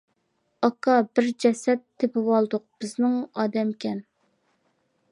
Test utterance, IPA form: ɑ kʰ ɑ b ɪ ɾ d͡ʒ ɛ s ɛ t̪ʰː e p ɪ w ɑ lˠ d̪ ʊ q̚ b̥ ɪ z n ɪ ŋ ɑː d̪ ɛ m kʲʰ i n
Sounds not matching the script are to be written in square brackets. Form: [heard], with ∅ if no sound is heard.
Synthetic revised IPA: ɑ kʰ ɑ b ɪ ɾ d͡ʒ ɛ s ɛ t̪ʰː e p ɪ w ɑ lˠ d̪ ʊ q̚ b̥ ɪ z n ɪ ŋ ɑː d̪ ɛ m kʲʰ [ɛ] n